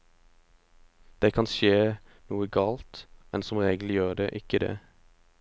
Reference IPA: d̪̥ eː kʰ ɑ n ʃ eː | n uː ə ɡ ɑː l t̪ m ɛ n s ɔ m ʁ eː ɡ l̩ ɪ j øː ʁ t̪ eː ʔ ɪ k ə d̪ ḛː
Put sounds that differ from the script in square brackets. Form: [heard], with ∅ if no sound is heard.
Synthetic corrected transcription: d̪̥ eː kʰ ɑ n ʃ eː | n uː ə ɡ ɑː l t̪ m ɛ n s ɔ m ʁ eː ɡ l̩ ɪ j øː ʁ [d̪] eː ʔ ɪ k ə d̪ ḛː